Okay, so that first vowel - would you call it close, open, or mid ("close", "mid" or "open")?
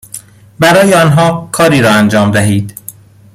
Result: open